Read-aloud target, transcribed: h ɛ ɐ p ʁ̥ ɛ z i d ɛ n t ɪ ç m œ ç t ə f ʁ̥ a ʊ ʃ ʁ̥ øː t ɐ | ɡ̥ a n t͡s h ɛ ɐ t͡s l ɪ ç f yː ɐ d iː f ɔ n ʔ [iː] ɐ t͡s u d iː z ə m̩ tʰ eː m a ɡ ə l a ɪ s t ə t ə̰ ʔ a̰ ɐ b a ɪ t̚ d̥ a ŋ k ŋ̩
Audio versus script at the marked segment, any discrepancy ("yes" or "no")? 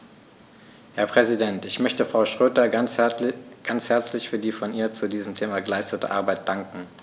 no